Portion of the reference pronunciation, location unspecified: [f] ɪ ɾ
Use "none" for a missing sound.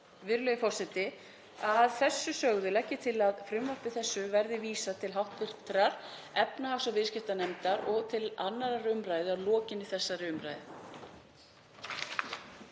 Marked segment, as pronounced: v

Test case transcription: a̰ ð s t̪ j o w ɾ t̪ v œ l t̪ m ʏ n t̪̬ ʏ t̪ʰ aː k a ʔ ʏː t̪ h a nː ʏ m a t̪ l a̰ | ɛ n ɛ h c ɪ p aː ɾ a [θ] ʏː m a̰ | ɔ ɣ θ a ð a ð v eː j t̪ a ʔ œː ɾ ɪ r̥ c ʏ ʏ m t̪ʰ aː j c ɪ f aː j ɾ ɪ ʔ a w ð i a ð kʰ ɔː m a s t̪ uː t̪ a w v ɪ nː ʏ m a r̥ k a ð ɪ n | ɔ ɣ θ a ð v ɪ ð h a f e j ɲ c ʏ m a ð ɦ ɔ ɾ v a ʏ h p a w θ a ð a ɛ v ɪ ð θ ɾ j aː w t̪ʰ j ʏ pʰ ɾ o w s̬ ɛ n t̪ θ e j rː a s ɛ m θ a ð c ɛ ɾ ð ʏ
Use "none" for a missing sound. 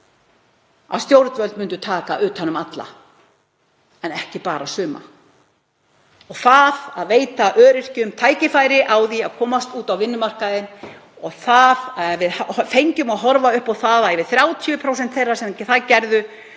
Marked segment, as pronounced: s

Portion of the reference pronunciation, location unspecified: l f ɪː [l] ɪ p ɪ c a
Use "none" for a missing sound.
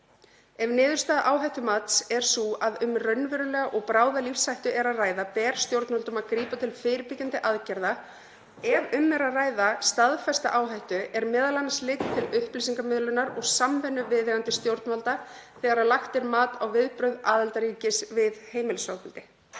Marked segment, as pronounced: ɾ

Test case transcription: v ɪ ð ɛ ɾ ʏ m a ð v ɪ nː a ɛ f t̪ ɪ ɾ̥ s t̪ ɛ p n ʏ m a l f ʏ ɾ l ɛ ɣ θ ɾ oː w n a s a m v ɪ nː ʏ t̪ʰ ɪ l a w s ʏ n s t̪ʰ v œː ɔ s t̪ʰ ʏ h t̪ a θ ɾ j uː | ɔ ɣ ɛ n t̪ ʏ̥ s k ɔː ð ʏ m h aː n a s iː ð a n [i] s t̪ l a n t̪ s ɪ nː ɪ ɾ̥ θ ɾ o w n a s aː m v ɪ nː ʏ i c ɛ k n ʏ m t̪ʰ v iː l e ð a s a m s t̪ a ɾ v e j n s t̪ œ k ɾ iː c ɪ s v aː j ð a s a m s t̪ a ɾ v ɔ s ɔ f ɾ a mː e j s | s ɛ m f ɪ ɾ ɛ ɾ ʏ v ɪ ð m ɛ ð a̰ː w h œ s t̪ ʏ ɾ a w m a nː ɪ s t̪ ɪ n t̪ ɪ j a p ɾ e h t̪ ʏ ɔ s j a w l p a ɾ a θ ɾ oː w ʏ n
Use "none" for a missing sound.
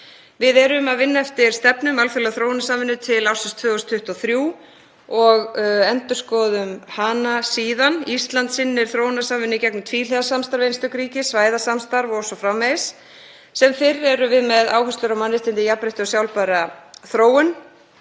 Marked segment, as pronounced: i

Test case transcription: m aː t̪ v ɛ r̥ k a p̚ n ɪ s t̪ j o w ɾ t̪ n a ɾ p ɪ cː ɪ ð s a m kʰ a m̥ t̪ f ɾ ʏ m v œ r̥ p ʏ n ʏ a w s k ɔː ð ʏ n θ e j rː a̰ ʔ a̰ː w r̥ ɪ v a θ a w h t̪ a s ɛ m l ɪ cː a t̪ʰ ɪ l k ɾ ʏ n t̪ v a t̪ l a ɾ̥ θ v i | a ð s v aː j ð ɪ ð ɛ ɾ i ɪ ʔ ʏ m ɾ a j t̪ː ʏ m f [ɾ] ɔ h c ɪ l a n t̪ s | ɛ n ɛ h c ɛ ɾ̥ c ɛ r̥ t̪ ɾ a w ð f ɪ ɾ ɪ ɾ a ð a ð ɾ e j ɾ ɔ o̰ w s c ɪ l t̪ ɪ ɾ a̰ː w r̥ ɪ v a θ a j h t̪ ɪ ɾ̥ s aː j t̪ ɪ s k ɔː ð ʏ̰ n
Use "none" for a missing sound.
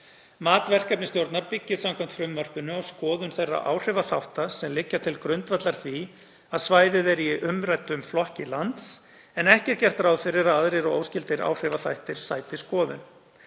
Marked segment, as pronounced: l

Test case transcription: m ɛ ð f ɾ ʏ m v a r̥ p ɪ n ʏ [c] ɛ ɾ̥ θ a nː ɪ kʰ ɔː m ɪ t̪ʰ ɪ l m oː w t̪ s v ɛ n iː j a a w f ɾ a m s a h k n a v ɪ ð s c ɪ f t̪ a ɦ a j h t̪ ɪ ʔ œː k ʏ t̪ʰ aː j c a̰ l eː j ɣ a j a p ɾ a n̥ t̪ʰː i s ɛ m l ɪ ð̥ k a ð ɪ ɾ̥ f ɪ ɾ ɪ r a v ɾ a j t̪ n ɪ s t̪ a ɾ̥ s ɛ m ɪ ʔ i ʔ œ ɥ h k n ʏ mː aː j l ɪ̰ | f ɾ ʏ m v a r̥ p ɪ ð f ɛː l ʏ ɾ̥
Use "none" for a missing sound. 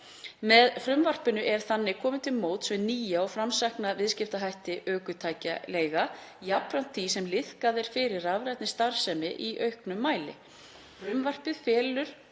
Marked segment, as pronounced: ʔ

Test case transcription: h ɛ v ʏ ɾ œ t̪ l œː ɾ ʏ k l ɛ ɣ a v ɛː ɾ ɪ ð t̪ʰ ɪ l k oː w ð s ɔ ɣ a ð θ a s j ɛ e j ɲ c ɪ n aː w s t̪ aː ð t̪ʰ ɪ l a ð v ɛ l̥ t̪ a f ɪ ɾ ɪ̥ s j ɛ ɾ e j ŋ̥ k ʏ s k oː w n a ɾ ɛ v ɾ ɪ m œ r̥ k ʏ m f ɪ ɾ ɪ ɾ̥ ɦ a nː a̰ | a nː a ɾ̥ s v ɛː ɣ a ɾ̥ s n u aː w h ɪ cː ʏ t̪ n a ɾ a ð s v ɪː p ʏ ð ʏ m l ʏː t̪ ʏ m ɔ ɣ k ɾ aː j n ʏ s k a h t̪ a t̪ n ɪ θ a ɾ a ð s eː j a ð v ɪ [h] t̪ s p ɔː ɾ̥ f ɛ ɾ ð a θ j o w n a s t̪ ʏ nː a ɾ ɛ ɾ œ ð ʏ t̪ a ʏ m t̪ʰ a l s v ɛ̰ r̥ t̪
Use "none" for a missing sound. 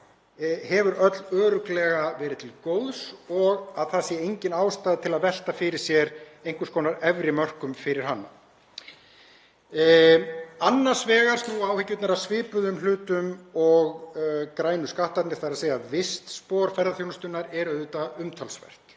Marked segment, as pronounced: s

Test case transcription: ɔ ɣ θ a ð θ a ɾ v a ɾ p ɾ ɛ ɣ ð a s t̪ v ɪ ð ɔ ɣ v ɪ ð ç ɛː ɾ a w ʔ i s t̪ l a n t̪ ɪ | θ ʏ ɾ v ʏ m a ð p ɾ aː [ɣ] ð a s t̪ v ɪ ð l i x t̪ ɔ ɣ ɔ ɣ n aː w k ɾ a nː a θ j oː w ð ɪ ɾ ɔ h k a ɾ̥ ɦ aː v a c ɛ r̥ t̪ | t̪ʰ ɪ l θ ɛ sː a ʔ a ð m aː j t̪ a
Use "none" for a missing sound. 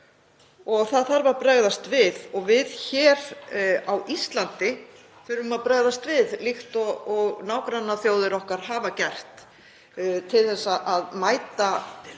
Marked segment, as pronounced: ɣ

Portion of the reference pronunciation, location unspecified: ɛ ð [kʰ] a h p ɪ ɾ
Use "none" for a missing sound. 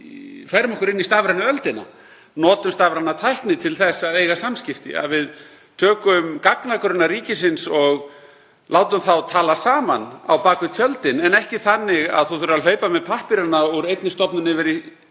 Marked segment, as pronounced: pʰ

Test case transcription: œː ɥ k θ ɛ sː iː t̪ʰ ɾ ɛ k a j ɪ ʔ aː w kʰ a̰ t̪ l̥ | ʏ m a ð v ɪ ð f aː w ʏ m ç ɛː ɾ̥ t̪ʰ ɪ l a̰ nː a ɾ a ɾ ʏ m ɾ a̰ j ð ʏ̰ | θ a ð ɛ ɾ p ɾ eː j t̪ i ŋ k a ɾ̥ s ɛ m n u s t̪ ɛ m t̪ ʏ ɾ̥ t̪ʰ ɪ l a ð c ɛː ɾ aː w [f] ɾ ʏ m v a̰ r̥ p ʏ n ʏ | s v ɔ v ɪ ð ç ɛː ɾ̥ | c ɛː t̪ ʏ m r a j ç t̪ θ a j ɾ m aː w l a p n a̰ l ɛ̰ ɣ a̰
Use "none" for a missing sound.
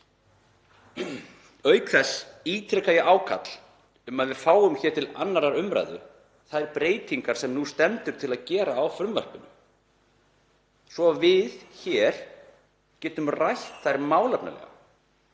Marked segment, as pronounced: f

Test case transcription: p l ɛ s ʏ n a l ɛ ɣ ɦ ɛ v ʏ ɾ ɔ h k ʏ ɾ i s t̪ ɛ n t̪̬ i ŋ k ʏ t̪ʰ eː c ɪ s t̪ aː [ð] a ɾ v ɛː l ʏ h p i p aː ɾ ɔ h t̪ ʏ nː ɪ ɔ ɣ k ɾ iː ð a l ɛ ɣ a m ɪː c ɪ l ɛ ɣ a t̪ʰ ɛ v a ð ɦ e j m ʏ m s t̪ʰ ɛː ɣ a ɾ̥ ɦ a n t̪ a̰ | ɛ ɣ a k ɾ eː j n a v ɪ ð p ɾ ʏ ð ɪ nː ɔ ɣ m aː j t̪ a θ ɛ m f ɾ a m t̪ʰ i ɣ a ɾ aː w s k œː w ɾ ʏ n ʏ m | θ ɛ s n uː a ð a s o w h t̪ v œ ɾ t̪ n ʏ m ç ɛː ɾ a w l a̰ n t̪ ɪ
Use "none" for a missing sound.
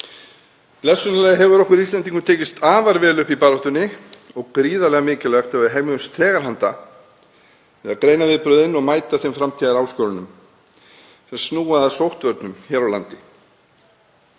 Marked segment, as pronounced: v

